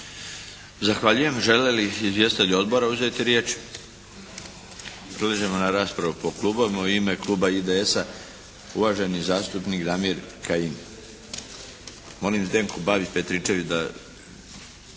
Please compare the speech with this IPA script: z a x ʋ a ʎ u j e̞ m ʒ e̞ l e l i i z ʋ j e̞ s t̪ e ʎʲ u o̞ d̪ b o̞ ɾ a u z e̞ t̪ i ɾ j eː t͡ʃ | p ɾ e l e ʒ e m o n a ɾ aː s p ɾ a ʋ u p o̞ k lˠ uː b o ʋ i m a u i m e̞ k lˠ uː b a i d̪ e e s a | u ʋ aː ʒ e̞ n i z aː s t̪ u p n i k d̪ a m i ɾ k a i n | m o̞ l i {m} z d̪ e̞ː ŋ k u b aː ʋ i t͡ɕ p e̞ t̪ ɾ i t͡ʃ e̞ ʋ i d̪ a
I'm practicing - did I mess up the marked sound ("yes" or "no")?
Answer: no